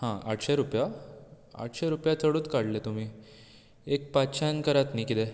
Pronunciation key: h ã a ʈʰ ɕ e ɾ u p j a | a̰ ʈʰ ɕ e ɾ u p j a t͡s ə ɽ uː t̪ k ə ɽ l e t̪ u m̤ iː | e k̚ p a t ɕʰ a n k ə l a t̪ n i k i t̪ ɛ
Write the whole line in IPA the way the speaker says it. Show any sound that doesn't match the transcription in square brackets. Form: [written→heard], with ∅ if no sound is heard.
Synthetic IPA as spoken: h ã a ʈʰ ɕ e ɾ u p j a | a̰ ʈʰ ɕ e ɾ u p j a t͡s ə ɽ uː t̪ k [ə→a] ɽ l e t̪ u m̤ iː | e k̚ p a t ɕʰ a n k ə [l→ɾ] a t̪ n i k i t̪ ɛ